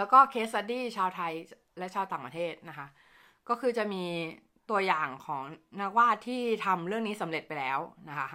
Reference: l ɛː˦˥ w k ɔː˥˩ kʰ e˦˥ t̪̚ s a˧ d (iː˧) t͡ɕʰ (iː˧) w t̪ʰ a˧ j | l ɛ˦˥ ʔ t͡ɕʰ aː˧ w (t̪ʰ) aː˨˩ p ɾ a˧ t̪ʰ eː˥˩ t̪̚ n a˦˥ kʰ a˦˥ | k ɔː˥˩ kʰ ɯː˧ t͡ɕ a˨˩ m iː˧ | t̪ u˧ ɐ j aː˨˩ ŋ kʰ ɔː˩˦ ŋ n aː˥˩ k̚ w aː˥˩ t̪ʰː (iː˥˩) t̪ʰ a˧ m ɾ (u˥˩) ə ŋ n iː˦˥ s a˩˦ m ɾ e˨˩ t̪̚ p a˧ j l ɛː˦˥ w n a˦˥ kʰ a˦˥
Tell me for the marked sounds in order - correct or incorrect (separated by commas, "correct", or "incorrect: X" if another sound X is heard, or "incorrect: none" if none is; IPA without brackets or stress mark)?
incorrect: iː˥˩, incorrect: aː˧, incorrect: t̪, correct, incorrect: ɯ˥˩